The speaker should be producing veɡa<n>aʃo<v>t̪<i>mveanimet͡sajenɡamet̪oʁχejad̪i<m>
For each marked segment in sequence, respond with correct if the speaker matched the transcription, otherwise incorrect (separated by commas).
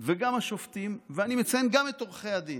incorrect, incorrect, correct, incorrect